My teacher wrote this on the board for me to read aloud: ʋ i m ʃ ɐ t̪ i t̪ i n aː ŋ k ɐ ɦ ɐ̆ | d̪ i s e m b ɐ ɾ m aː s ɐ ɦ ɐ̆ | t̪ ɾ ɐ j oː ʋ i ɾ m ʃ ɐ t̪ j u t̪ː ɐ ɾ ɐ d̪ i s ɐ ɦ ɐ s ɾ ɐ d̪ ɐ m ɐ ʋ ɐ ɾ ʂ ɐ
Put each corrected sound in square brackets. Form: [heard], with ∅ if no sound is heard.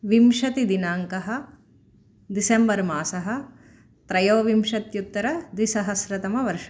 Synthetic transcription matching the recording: ʋ i m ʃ ɐ t̪ i [d̪] i n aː ŋ k ɐ ɦ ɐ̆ | d̪ i s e m b ɐ ɾ m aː s ɐ ɦ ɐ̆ | t̪ ɾ ɐ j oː ʋ i [∅] m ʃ ɐ t̪ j u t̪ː ɐ ɾ ɐ d̪ i s ɐ ɦ ɐ s ɾ ɐ [t̪] ɐ m ɐ ʋ ɐ ɾ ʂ ɐ